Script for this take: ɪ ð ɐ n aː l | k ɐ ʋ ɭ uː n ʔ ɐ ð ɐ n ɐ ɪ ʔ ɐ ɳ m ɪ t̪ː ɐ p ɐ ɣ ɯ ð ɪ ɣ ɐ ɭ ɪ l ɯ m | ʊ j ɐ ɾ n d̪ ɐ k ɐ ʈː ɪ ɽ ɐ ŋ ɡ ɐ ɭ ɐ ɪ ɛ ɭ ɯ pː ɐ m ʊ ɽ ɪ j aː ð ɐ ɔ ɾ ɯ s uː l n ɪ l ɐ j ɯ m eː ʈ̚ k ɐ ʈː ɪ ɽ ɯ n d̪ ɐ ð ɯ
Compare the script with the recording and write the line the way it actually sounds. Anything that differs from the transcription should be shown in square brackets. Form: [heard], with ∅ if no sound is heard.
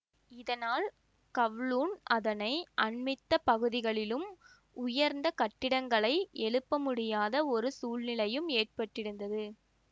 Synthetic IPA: ɪ ð ɐ n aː l | k ɐ ʋ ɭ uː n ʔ ɐ ð ɐ n ɐ ɪ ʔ ɐ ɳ m ɪ t̪ː ɐ p ɐ ɣ ɯ ð ɪ ɣ ɐ ɭ ɪ l ɯ m | ʊ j ɐ ɾ n d̪ ɐ k ɐ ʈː ɪ ɽ ɐ ŋ ɡ ɐ ɭ ɐ ɪ ɛ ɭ ɯ pː ɐ m ʊ ɽ ɪ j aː ð ɐ ɔ ɾ ɯ s uː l n ɪ l ɐ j ɯ m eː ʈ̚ [p] ɐ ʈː ɪ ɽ ɯ n d̪ ɐ ð ɯ